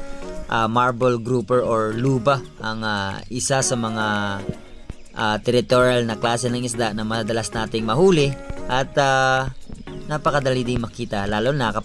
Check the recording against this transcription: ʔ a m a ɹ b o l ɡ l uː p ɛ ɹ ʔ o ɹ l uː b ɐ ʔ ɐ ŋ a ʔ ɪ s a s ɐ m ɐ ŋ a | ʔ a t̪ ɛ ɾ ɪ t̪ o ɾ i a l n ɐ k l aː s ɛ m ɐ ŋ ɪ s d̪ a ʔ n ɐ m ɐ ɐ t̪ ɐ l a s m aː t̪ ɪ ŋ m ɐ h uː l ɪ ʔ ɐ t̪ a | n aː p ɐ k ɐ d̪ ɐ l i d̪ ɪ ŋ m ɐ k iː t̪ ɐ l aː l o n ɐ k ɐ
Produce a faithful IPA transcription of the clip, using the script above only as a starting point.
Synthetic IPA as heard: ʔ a m a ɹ b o l ɡ ɾ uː p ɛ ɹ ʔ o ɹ l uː b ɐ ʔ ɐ ŋ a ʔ ɪ s a s ɐ m ɐ ŋ a | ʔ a t̪ ɛ ɾ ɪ t̪ o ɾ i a l n ɐ k l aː s ɛ n ɐ ŋ ɪ s d̪ a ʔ n ɐ m ɐ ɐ d̪ ɐ l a s n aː t̪ ɪ ŋ m ɐ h uː l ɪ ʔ ɐ t̪ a | n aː p ɐ k ɐ d̪ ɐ l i d̪ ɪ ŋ m ɐ k iː t̪ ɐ l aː l o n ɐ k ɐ

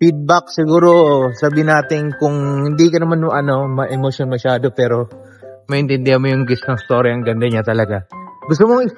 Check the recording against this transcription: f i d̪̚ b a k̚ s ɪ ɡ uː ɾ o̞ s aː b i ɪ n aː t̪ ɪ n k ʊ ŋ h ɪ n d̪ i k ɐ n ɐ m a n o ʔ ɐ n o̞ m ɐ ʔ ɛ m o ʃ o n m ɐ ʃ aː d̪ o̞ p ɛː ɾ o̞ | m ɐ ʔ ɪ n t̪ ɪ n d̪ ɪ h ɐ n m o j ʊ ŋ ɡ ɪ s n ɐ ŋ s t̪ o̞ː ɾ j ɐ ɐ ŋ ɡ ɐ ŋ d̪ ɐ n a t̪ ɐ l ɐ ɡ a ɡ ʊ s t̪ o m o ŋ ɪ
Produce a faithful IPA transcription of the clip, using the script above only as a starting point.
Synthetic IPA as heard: f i d̪̚ b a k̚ s ɪ ɡ uː ɾ o̞ s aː b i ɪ n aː t̪ ɪ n k ʊ ŋ h ɪ n d̪ i k ɐ n ɐ m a n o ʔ ɐ n o̞ m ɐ ʔ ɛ m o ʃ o n m ɐ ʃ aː d̪ o̞ p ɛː ɾ o̞ | m ɐ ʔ ɪ n t̪ ɪ n d̪ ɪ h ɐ n m o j ʊ ŋ ɡ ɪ s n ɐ ŋ s t̪ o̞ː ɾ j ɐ ɐ ŋ ɡ ɐ n d̪ ɐ ɲ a t̪ ɐ l ɐ ɡ a ɡ ʊ s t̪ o m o ŋ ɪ

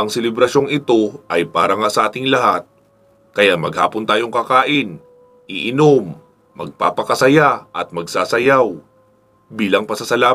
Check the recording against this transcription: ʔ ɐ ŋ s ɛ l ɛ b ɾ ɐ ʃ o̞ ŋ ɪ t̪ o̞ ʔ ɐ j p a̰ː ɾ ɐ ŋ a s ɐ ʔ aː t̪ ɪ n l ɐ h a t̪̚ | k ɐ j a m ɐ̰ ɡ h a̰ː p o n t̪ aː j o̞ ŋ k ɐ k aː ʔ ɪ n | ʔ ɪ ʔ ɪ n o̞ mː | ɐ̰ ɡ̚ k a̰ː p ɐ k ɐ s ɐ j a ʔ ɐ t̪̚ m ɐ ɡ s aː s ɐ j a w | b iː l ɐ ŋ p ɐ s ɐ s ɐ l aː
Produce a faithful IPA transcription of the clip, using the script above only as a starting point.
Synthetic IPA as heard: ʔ ɐ ŋ s ɛ l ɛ b ɾ ɐ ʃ o̞ ŋ ɪ t̪ o̞ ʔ ɐ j p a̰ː ɾ ɐ ŋ a s ɐ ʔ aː t̪ ɪ ŋ l ɐ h a t̪̚ | k ɐ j a m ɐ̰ ɡ h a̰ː p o n t̪ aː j o̞ ŋ k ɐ k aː ʔ ɪ n | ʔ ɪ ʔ ɪ n o̞ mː | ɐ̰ ɡ̚ p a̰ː p ɐ k ɐ s ɐ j a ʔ ɐ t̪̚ m ɐ ɡ s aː s ɐ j a w | b iː l ɐ ŋ p ɐ s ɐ s ɐ l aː

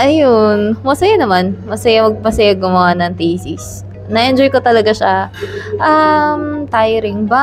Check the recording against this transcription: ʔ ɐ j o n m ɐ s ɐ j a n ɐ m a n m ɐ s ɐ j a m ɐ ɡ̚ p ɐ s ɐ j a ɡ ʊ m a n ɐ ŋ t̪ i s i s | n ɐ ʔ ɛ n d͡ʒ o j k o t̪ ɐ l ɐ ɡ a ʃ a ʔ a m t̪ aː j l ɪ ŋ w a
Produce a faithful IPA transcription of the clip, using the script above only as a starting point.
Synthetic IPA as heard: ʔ ɐ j o n m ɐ s ɐ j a n ɐ m a n m ɐ s ɐ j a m ɐ ɡ̚ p ɐ s ɐ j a ɡ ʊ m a n ɐ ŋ t̪ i s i s | n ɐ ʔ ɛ n d͡ʒ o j k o t̪ ɐ l ɐ ɡ a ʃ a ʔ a m t̪ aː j ɾ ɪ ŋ b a

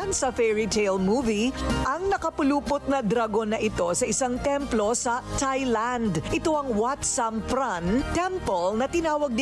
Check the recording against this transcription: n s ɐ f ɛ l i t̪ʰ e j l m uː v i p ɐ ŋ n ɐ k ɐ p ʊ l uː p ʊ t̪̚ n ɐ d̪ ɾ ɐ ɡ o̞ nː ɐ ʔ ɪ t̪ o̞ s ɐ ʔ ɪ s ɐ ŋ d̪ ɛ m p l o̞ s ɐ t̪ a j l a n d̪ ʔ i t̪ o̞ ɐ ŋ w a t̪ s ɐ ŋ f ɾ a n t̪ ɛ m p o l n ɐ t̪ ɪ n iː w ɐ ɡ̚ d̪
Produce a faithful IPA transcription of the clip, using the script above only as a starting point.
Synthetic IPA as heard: n s ɐ f ɛ ɹ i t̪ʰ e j l m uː v i ʔ ɐ ŋ n ɐ k ɐ p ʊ l uː p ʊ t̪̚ n ɐ d̪ ɾ ɐ ɡ o̞ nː ɐ ʔ ɪ t̪ o̞ s ɐ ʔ ɪ s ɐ ŋ t̪ ɛ m p l o̞ s ɐ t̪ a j l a n d̪ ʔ ɪ t̪ o̞ ɐ ŋ w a t̪ s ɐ m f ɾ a n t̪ ɛ m p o l n ɐ t̪ ɪ n aː w ɐ ɡ̚ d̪

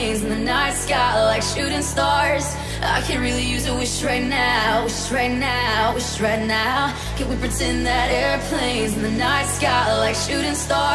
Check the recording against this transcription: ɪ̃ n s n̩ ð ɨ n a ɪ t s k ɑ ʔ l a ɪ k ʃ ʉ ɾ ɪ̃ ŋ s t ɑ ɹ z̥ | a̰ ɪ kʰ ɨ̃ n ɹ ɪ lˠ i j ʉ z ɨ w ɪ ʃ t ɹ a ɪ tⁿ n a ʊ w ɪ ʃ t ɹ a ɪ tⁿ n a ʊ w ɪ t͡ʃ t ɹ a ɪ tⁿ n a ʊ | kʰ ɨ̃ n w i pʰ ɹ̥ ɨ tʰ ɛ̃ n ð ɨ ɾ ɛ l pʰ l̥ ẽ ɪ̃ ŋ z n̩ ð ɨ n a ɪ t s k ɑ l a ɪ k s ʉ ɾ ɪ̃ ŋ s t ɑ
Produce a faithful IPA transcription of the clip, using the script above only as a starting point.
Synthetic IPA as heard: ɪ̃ n z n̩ ð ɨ n a ɪ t s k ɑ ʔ l a ɪ k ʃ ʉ ɾ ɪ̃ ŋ s t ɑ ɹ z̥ | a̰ ɪ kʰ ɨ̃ n ɹ ɪ lˠ i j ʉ z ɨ w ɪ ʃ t ɹ a ɪ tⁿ n a ʊ w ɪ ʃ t ɹ a ɪ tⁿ n a ʊ w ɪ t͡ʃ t ɹ a ɪ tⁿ n a ʊ | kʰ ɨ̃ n w i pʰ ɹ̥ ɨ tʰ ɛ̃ n ð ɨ ɾ ɛ ɹ pʰ l̥ ẽ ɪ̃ n z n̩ ð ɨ n a ɪ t s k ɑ l a ɪ k ʃ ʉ ɾ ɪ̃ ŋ s t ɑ

